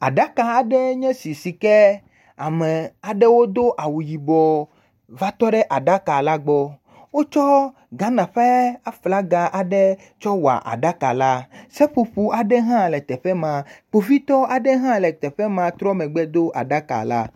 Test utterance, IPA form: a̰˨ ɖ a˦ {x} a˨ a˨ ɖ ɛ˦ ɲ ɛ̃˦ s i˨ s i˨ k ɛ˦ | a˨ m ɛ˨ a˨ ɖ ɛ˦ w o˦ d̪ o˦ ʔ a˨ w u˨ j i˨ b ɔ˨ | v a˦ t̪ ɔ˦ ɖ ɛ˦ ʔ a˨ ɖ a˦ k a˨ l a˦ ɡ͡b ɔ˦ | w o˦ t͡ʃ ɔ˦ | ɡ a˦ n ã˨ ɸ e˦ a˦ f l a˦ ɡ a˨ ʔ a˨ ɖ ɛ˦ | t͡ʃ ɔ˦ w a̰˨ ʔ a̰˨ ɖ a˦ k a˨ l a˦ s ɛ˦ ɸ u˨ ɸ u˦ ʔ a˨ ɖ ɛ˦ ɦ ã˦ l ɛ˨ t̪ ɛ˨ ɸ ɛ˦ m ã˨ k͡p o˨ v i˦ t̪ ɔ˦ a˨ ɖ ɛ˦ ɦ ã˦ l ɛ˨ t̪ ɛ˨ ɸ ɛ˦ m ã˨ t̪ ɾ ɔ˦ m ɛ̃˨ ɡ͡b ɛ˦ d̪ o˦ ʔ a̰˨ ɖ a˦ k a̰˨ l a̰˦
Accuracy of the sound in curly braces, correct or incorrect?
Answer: incorrect